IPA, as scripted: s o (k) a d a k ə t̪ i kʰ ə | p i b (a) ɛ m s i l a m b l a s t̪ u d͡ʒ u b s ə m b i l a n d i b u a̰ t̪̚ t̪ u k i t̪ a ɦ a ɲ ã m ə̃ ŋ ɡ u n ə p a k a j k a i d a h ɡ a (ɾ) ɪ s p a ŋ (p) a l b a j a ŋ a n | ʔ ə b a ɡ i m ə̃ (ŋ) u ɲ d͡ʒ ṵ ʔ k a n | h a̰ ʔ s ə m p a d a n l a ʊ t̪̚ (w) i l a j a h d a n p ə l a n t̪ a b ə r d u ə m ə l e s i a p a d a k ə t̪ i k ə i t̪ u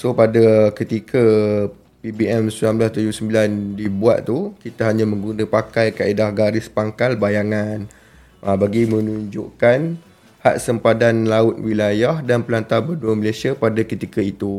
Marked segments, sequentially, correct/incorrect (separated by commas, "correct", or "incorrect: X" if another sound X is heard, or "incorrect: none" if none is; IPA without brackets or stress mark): incorrect: p, incorrect: i, correct, incorrect: k, incorrect: n, correct